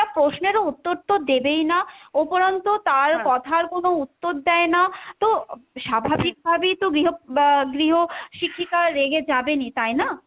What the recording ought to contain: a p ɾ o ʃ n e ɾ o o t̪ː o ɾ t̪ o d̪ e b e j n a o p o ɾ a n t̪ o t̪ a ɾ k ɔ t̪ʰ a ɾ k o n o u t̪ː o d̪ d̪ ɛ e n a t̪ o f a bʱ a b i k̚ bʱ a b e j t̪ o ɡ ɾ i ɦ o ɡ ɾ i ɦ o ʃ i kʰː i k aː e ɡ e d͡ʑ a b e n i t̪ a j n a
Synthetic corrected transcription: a p ɾ o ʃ n e ɾ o u t̪ː o ɾ t̪ o d̪ e b e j n a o p o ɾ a n t̪ o t̪ a ɾ k ɔ t̪ʰ a ɾ k o n o u t̪ː o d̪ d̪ ɛ e n a t̪ o ʃ a bʱ a b i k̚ bʱ a b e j t̪ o ɡ ɾ i ɦ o ɡ ɾ i ɦ o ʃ i kʰː i k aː e ɡ e d͡ʑ a b e n i t̪ a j n a